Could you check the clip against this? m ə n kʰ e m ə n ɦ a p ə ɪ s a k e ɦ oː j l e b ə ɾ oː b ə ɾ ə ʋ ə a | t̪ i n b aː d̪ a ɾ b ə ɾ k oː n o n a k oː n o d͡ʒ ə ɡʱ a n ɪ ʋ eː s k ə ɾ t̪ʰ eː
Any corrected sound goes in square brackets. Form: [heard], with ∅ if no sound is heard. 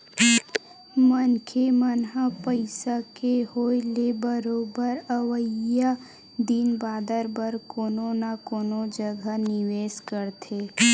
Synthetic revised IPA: m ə n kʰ e m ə n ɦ a p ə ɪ s a k e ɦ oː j l e b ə ɾ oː b ə ɾ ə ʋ ə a | [d̪] i n b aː d̪ [ə] ɾ b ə ɾ k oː n o n a k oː n o d͡ʒ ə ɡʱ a n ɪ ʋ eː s k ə ɾ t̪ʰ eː